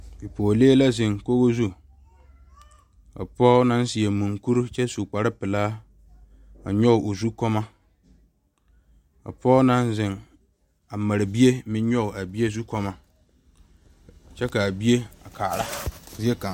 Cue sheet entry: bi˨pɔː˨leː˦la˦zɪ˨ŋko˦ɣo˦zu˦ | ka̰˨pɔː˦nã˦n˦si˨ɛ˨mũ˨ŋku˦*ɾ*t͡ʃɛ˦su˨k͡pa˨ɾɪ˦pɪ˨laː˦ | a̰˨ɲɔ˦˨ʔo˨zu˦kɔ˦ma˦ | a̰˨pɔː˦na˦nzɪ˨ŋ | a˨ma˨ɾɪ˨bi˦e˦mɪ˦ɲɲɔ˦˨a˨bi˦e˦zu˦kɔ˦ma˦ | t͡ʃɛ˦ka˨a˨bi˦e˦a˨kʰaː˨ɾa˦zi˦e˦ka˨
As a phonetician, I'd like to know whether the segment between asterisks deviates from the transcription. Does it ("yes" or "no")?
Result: no